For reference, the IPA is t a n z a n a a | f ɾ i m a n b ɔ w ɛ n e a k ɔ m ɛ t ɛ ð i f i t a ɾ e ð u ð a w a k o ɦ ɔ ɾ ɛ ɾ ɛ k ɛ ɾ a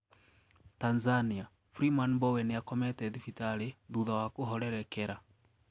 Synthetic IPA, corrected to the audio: t a n z a n i a | f ɾ i m a n b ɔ w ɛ n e a k ɔ m ɛ t ɛ ð i f i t a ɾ e ð u ð a w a k o ɦ ɔ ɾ ɛ ɾ ɛ k ɛ ɾ a